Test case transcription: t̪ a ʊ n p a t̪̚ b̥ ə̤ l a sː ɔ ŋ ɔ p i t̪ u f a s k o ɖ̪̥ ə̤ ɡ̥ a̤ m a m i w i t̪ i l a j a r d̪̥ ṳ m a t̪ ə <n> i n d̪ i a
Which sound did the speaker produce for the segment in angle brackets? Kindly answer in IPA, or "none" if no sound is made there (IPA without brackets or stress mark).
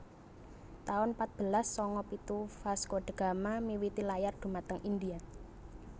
ŋ